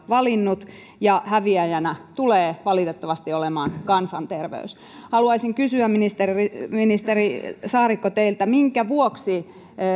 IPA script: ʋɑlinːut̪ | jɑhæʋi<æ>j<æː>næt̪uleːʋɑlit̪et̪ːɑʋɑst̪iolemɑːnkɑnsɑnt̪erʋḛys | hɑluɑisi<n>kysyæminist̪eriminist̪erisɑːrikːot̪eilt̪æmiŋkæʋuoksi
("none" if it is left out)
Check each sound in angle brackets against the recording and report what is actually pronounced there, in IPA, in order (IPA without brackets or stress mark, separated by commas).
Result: æ, æ, ŋ